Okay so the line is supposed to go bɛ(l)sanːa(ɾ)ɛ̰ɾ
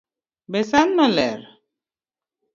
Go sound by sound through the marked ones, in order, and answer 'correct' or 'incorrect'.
incorrect: none, incorrect: l

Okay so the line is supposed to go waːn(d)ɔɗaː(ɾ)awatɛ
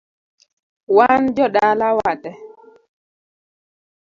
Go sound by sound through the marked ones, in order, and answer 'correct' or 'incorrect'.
incorrect: d͡ʒ, incorrect: l

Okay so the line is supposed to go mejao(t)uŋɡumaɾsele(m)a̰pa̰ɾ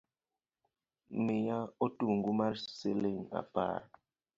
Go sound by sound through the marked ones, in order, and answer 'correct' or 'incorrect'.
correct, incorrect: ŋ

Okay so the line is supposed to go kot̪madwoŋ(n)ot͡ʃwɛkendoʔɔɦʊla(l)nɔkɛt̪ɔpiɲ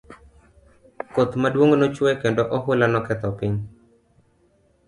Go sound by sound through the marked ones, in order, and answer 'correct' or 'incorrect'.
correct, incorrect: none

